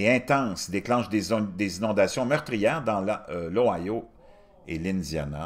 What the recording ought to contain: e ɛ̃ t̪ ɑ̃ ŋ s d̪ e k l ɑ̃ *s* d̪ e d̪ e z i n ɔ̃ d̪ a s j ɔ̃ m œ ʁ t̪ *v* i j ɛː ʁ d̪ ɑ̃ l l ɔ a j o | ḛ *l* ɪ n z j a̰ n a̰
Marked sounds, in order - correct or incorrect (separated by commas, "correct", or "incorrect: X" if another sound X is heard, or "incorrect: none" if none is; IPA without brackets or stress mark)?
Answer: incorrect: ʃ, incorrect: ʁ, correct